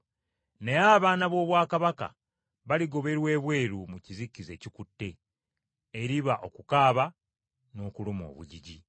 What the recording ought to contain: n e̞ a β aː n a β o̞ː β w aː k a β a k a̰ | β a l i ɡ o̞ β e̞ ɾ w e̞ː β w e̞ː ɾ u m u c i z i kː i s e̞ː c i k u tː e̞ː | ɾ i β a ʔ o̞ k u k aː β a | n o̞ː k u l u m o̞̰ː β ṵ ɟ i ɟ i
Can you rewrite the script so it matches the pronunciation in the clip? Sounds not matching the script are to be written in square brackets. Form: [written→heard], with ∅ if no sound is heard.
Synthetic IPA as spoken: n e̞ a β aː n a β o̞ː β w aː k a β a k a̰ | β a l i ɡ o̞ β e̞ ɾ w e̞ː β w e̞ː ɾ u m u c i z i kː i [s→z] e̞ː c i k u tː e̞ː | ɾ i β a ʔ o̞ k u k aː β a | n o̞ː k u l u m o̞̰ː β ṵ ɟ i ɟ i